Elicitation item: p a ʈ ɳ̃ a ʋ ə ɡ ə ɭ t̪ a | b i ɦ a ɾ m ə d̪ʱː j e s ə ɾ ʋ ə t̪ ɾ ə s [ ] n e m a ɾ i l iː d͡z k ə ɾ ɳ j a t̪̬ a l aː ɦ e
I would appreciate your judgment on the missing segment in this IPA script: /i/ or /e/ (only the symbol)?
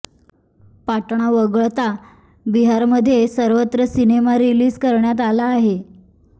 i